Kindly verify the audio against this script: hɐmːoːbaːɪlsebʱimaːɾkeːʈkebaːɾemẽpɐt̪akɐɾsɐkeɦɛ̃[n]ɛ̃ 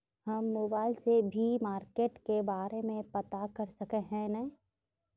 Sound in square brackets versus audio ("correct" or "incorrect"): correct